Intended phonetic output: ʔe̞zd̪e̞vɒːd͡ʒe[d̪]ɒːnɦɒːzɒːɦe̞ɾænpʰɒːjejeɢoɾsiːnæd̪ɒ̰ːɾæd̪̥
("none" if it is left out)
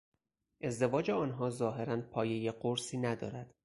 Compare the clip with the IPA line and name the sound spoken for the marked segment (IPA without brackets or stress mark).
none